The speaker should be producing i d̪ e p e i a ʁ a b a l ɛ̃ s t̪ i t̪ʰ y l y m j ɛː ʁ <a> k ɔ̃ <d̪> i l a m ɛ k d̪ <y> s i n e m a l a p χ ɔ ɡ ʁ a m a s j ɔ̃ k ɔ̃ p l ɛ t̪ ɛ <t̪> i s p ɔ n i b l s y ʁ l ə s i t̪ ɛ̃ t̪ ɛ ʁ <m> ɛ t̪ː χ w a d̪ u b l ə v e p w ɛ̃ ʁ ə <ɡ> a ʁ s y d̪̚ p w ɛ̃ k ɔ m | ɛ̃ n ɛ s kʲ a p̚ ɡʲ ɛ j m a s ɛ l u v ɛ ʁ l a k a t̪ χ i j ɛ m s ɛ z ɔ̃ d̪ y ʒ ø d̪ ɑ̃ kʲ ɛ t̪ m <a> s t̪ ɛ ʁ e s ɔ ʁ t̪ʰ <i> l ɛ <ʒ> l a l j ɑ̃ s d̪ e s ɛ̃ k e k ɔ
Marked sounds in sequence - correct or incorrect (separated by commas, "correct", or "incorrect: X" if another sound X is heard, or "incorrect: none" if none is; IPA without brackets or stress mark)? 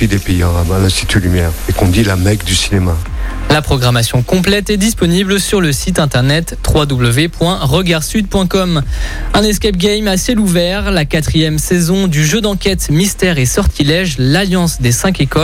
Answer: incorrect: e, correct, correct, incorrect: d̪, incorrect: n, correct, incorrect: i, correct, correct